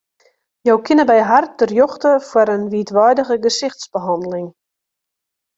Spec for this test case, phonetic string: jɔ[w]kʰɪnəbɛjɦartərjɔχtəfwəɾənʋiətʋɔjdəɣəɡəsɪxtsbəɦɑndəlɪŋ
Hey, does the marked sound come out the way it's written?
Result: yes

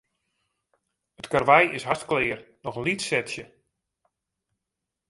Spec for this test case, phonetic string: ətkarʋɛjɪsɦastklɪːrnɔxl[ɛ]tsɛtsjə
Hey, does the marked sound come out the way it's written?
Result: no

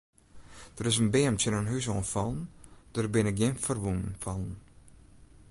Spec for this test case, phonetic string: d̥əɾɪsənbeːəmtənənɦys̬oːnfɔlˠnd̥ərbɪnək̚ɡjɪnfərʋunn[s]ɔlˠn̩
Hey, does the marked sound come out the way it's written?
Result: no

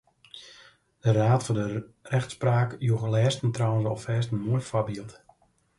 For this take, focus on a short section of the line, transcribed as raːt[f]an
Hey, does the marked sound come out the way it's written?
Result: yes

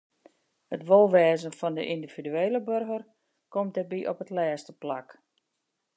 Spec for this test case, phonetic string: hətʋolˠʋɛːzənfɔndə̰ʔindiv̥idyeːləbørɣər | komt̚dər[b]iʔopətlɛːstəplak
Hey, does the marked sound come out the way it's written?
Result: yes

